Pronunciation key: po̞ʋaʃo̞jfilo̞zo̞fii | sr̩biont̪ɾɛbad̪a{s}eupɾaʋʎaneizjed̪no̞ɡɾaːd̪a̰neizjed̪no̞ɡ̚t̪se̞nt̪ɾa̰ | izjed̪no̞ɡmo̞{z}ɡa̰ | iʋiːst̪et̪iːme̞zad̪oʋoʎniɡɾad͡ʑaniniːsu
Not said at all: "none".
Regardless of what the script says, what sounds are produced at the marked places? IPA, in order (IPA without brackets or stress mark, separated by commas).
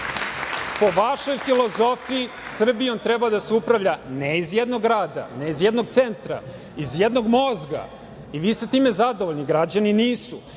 s, z